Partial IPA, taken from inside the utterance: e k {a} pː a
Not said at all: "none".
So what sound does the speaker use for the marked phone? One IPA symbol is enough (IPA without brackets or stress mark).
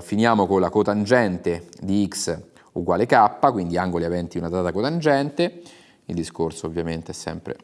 a